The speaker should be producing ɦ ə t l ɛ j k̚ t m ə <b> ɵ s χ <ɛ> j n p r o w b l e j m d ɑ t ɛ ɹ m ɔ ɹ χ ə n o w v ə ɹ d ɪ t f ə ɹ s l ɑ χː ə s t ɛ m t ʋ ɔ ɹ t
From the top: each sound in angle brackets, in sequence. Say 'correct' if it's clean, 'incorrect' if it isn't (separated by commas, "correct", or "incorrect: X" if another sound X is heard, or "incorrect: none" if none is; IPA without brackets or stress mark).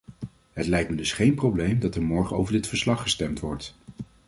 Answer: incorrect: d, incorrect: e